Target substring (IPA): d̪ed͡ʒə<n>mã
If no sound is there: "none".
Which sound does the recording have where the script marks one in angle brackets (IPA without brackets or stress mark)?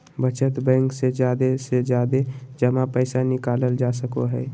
none